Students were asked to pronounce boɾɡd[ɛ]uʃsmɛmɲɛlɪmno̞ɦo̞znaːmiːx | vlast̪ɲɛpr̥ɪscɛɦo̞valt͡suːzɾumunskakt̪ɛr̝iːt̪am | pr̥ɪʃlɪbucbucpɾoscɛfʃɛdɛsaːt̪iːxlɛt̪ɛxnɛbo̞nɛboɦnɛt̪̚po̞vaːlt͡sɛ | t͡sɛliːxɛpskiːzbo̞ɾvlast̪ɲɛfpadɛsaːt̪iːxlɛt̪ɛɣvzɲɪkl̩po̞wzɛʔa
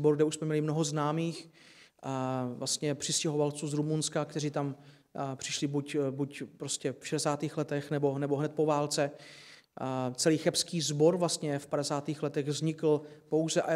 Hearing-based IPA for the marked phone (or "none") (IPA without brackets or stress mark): ɛ